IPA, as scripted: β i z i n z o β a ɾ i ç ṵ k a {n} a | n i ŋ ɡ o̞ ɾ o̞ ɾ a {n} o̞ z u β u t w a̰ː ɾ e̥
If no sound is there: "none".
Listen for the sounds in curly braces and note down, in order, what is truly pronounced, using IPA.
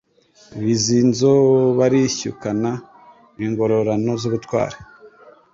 n, n

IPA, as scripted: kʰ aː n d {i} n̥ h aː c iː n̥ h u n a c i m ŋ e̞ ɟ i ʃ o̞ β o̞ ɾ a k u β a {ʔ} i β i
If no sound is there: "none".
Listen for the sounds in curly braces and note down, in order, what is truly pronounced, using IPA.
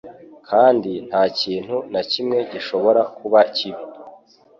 i, c

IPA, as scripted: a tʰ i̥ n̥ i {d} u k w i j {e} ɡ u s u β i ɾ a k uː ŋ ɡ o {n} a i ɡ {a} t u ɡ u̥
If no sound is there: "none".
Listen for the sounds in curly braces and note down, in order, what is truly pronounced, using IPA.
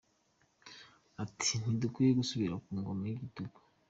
d, e, m, i

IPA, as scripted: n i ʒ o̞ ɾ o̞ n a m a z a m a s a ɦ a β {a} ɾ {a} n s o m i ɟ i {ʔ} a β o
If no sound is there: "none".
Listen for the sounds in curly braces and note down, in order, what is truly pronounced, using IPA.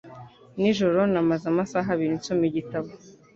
i, i, t

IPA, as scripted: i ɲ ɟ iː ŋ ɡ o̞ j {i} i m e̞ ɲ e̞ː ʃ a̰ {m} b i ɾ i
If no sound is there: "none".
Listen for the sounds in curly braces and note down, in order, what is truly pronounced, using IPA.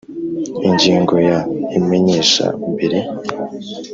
a, m

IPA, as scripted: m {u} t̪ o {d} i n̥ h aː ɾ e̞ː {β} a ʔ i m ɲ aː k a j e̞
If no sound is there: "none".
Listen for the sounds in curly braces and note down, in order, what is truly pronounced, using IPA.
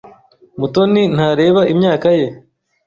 u, n, β

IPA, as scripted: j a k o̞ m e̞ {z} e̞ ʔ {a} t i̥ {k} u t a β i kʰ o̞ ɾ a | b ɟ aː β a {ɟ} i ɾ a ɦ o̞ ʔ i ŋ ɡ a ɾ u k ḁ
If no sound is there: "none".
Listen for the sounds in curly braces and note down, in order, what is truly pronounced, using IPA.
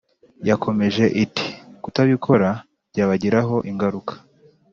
ʒ, i, k, ɟ

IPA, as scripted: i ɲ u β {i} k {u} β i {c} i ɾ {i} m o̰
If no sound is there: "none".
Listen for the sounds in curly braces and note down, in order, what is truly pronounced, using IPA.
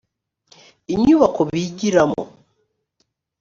a, o, ɟ, a

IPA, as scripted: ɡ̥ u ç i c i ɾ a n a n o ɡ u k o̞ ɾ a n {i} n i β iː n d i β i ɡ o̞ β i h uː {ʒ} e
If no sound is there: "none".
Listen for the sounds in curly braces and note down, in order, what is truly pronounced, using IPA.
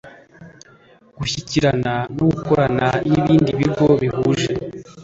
a, ʒ

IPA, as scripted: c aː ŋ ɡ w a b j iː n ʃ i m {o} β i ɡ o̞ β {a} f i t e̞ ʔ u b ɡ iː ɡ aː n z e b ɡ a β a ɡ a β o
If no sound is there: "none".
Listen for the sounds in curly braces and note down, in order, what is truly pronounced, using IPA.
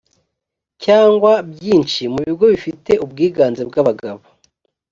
u, i

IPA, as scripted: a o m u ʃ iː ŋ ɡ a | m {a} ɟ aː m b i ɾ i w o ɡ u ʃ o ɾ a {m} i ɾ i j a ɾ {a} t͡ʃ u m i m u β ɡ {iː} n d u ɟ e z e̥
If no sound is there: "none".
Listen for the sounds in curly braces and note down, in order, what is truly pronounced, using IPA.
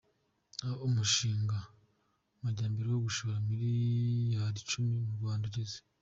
a, m, i, aː

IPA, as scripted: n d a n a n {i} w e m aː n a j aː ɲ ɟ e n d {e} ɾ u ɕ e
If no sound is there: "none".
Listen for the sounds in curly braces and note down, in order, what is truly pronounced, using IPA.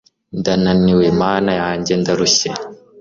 i, a

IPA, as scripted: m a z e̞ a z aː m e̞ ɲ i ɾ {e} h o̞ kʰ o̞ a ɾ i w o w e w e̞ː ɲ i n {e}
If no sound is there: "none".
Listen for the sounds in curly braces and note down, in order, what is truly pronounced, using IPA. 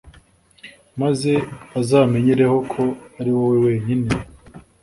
e, e

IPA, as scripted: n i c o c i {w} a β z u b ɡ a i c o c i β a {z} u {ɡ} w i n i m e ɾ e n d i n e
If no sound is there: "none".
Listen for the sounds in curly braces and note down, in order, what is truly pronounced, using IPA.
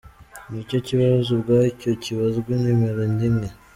β, z, ɡ

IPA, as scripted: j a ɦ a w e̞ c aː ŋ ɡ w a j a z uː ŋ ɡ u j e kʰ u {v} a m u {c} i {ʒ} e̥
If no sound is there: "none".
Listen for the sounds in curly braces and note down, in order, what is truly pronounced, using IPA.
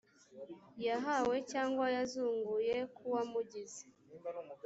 w, ɟ, z

